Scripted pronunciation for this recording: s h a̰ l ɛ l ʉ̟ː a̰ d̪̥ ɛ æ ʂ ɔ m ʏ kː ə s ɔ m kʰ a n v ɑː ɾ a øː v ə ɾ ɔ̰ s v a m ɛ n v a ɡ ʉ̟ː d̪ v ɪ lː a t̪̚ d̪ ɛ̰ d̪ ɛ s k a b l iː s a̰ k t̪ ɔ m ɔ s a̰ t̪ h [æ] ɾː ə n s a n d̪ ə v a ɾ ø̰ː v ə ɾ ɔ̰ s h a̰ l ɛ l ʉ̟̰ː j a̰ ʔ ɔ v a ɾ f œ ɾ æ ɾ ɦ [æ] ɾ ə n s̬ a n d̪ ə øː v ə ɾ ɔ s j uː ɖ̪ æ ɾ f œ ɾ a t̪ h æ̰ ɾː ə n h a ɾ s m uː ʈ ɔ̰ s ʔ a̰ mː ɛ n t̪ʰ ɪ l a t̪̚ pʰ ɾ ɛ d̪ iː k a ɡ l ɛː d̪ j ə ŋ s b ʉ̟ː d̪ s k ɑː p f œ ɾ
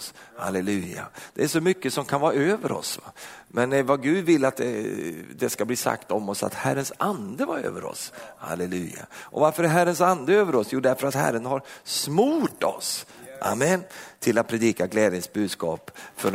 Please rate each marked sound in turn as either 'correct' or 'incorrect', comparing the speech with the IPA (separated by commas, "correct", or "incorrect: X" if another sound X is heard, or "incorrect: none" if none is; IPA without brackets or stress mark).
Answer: correct, correct